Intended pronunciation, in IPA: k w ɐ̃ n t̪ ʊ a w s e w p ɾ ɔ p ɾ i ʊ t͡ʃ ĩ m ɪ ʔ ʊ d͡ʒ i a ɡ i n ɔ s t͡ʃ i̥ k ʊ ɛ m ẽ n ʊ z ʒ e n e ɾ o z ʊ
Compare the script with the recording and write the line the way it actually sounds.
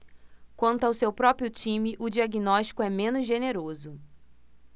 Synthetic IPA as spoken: k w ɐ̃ n t̪ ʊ a w s e w p ɾ ɔ p ɾ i ʊ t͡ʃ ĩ m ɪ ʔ ʊ d͡ʒ i a ɡ i n ɔ ʃ t͡ʃ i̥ k ʊ ɛ m ẽ n ʊ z ʒ e n e ɾ o z ʊ